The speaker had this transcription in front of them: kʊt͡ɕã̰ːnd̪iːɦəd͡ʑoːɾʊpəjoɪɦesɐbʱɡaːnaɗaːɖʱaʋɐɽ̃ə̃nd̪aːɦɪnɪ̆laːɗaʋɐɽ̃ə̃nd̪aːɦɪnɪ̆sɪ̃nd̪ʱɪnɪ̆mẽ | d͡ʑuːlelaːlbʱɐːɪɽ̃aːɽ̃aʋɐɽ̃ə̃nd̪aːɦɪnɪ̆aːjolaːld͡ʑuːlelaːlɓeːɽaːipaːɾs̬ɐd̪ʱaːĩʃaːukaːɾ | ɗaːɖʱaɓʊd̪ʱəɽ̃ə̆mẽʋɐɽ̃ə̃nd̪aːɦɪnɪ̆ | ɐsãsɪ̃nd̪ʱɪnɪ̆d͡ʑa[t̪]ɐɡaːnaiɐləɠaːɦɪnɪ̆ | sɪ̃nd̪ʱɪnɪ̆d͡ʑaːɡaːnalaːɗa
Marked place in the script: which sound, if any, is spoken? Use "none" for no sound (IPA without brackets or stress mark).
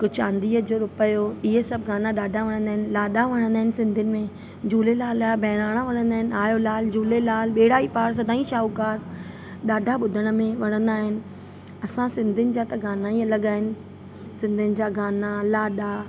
t̪